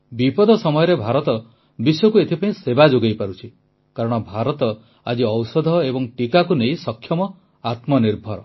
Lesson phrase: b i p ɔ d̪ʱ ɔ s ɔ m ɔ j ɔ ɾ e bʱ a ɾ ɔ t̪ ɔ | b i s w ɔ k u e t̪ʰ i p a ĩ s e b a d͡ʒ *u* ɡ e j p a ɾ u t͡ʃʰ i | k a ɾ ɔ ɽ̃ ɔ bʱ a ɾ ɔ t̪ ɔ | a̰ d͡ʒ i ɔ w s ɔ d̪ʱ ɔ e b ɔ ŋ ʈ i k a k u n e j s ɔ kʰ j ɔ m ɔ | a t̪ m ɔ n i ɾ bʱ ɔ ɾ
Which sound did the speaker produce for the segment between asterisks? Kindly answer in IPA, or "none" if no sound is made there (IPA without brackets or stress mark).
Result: o